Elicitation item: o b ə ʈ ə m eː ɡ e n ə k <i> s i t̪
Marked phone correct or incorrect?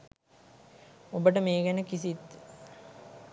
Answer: correct